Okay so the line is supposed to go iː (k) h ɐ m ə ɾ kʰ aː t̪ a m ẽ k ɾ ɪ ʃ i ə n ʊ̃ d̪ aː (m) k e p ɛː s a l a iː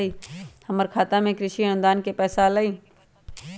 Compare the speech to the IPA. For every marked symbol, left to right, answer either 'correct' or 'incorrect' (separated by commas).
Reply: incorrect, incorrect